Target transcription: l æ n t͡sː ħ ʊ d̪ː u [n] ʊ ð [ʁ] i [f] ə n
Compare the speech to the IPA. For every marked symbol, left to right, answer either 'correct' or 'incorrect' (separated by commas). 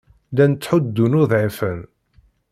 correct, incorrect, correct